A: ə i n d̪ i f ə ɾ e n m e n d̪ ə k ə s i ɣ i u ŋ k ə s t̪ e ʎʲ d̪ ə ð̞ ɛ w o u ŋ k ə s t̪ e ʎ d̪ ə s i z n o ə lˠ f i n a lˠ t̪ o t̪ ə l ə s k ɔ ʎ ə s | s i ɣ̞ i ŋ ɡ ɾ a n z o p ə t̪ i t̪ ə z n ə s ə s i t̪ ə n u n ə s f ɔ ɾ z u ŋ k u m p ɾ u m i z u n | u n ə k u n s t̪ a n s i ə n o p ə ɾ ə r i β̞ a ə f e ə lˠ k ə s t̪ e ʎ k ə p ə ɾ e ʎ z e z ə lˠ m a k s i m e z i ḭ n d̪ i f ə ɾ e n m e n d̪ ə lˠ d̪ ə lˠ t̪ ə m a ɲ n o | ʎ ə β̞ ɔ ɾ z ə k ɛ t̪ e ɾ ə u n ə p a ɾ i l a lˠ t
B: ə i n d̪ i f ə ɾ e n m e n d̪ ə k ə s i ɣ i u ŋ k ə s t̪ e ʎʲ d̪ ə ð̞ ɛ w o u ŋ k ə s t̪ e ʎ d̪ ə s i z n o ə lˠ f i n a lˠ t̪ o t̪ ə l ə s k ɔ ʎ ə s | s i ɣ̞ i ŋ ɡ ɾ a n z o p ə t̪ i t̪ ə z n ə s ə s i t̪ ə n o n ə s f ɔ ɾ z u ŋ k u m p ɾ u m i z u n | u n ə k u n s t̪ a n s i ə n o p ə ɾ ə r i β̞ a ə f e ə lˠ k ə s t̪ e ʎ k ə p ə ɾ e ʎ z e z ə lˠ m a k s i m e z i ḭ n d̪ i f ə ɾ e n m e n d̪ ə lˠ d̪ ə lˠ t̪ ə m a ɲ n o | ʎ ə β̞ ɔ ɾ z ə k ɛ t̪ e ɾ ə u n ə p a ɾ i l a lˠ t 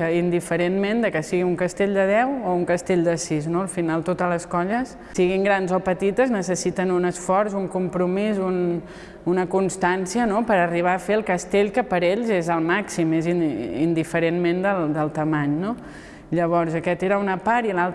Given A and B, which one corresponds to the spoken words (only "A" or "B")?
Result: A